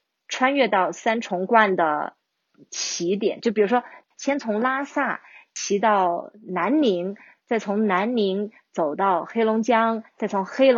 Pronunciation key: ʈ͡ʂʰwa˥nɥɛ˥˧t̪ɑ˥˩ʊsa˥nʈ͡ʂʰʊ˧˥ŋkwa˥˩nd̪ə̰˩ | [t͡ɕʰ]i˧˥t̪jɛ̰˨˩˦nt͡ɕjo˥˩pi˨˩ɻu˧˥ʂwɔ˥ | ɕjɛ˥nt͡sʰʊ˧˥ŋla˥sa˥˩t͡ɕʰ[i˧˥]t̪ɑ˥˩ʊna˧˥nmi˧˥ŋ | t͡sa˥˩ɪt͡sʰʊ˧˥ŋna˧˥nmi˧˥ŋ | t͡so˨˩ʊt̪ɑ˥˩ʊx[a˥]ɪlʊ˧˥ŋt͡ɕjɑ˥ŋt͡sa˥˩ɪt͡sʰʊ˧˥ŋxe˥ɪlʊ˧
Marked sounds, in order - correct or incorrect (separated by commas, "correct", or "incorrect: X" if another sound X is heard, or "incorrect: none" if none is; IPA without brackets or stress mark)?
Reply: correct, correct, incorrect: e˥